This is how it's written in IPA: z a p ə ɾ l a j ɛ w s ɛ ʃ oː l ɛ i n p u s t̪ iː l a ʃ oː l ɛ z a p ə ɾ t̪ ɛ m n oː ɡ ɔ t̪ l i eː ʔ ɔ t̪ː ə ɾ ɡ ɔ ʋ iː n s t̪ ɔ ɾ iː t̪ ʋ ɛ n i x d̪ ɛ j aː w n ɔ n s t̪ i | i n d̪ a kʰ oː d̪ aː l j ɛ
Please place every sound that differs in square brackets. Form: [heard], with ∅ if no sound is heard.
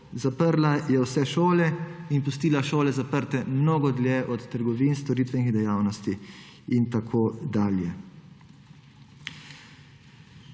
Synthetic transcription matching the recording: z a p ə ɾ l a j ɛ w s ɛ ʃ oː l ɛ i n p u s t̪ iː l a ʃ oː l ɛ z a p ə ɾ t̪ ɛ m n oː ɡ ɔ [d̪] l [j] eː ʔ ɔ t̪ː ə ɾ ɡ ɔ ʋ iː n s t̪ ɔ ɾ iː t̪ ʋ ɛ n i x d̪ ɛ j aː w n ɔ [∅] s t̪ i | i n [t̪] a kʰ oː d̪ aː l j ɛ